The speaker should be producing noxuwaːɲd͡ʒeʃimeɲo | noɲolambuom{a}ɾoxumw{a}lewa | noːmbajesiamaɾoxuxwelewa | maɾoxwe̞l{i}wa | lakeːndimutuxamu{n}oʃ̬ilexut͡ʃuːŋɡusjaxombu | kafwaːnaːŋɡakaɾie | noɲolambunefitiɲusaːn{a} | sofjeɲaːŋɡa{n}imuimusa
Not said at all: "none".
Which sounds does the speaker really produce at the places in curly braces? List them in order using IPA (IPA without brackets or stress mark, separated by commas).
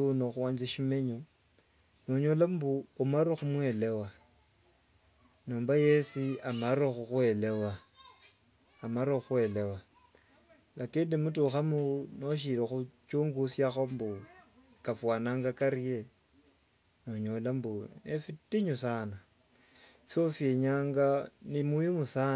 a, e, e, n, a, n